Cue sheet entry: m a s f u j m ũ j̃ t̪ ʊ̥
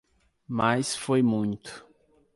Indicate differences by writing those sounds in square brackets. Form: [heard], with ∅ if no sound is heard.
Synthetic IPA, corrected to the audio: m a s f [o] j m ũ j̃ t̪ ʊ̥